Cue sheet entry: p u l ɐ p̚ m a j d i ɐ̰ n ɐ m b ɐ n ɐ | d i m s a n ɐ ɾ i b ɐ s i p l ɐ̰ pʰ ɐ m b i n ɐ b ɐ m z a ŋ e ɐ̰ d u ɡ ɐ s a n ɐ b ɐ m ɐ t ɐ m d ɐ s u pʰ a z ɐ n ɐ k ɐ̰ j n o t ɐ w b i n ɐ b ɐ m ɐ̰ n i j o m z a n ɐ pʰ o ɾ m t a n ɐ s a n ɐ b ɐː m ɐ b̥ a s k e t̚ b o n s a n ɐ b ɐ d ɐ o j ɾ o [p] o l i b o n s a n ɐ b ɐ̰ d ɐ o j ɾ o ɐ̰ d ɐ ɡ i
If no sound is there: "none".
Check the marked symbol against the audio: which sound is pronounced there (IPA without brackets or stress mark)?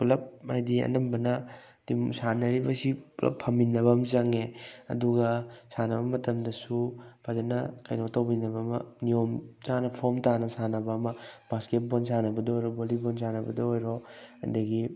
b